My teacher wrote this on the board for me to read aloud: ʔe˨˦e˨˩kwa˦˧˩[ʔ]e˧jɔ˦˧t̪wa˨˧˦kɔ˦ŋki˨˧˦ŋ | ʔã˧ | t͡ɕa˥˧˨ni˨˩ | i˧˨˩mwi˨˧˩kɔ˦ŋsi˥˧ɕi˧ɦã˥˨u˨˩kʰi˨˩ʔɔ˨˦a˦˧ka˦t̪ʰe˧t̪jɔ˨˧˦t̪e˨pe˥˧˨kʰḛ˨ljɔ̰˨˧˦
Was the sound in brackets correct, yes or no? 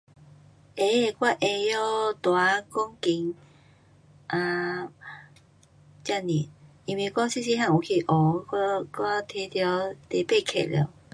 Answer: yes